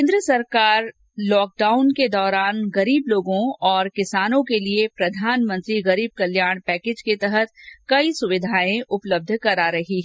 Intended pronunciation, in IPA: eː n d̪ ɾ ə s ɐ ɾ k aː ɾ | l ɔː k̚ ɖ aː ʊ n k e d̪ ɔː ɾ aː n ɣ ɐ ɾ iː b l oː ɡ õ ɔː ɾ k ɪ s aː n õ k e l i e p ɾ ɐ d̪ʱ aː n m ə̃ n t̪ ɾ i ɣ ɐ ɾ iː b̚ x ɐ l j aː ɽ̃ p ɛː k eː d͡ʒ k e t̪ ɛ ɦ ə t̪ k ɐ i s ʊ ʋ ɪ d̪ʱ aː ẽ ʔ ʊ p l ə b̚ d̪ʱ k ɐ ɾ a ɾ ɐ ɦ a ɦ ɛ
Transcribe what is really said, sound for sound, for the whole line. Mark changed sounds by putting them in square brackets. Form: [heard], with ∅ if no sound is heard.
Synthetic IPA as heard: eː n d̪ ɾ ə s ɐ ɾ k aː ɾ | l ɔː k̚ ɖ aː ʊ n k e d̪ ɔː ɾ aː n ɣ ɐ ɾ iː b l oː ɡ õ ɔː ɾ k ɪ s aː n õ k e l i e p ɾ ɐ d̪ʱ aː n m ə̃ n t̪ ɾ i ɣ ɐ ɾ iː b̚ [k] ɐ l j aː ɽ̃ p ɛː k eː d͡ʒ k e t̪ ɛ ɦ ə t̪ k ɐ i s ʊ ʋ ɪ d̪ʱ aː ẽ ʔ ʊ p l ə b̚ d̪ʱ k ɐ ɾ a ɾ ɐ ɦ [i] ɦ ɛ